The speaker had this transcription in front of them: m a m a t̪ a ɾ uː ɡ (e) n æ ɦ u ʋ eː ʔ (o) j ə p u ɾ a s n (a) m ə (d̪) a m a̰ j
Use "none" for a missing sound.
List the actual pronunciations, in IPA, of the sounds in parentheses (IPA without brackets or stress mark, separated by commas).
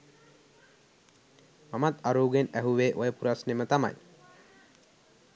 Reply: e, o, e, t̪